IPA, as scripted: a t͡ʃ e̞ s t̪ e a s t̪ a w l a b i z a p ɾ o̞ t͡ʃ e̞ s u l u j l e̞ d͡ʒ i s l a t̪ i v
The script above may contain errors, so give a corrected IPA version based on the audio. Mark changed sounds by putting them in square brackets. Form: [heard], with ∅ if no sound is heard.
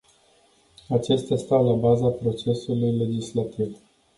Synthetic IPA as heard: a t͡ʃ e̞ s t̪ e a s t̪ a w l a b [a] z a p ɾ o̞ t͡ʃ e̞ s u l u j l e̞ d͡ʒ i s l a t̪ i v

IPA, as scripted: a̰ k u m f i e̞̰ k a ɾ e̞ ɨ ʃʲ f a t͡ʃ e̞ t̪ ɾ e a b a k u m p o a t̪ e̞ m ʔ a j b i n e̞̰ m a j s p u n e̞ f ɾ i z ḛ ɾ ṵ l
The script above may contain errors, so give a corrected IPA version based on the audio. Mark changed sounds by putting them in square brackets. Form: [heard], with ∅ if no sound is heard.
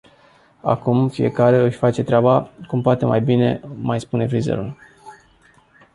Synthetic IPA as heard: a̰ k u m f i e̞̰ k a ɾ e̞ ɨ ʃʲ f a t͡ʃ e̞ t̪ ɾ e a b a k u m p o a t̪ e̞ m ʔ a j b i n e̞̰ m a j s p u n e̞ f ɾ i z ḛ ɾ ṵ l

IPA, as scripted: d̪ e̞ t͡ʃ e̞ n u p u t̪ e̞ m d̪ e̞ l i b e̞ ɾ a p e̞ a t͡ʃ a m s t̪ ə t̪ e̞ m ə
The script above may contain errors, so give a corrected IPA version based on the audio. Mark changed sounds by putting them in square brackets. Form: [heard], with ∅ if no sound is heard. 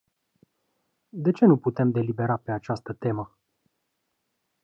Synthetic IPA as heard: d̪ e̞ t͡ʃ e̞ n u p u t̪ e̞ m d̪ e̞ l i b e̞ ɾ a p e̞ a t͡ʃ a [∅] s t̪ ə t̪ e̞ m ə

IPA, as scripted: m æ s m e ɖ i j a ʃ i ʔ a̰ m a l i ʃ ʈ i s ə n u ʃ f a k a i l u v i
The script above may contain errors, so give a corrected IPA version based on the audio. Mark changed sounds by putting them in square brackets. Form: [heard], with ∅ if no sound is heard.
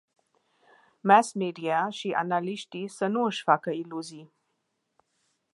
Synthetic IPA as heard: m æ s m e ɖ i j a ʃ i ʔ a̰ [n] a l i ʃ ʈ i s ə n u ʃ f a k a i l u [z] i

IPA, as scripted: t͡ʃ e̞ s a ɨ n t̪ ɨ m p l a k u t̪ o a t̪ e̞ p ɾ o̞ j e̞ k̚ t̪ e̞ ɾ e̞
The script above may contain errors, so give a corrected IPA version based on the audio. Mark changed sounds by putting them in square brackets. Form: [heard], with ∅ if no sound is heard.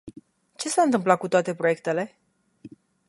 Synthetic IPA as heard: t͡ʃ e̞ s a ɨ n t̪ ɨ m p l a k u t̪ o a t̪ e̞ p ɾ o̞ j e̞ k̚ t̪ e̞ [l] e̞

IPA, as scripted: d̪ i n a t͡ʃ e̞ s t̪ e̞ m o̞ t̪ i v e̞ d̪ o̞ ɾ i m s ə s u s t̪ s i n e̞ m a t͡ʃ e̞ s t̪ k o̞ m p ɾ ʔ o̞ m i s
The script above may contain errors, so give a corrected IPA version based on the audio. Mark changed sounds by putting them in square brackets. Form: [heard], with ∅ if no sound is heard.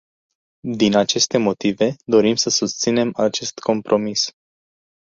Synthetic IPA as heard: d̪ i n a t͡ʃ e̞ s t̪ e̞ m o̞ t̪ i v e̞ d̪ o̞ ɾ i m s ə s u s t̪ s i n e̞ m a t͡ʃ e̞ s t̪ k o̞ m p ɾ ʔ o̞ m i s

